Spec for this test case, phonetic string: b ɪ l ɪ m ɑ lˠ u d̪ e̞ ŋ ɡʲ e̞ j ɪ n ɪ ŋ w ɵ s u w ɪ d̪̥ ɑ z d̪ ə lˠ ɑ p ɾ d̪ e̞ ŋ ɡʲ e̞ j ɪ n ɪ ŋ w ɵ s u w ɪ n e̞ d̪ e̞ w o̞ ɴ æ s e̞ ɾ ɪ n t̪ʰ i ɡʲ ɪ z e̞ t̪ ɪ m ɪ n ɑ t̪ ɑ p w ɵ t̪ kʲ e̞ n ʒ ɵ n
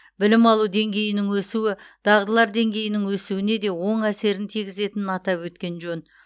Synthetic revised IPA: b ɪ l ɪ m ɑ lˠ u d̪ e̞ ŋ ɡʲ e̞ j ɪ n ɪ ŋ w ɵ s u w ɪ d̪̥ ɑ ʁ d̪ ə lˠ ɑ ɾ d̪ e̞ ŋ ɡʲ e̞ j ɪ n ɪ ŋ w ɵ s u w ɪ n e̞ d̪ e̞ w o̞ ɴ æ s e̞ ɾ ɪ n t̪ʰ i ɡʲ ɪ z e̞ t̪ ɪ n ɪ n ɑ t̪ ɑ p w ɵ t̪ kʲ e̞ n ʒ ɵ n